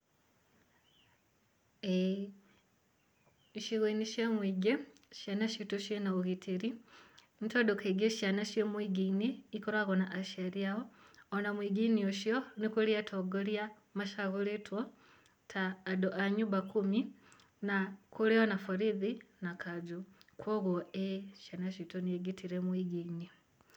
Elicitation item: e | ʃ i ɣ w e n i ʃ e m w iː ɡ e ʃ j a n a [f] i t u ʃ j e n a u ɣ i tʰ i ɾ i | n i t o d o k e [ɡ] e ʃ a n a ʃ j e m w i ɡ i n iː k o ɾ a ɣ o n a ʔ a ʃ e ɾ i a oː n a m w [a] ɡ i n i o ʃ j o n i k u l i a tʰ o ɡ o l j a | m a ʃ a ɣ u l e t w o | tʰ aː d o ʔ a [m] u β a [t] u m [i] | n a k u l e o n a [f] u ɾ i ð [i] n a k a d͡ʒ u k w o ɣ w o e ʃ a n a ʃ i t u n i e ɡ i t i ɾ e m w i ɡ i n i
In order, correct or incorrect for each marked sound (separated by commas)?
incorrect, correct, incorrect, incorrect, incorrect, correct, correct, correct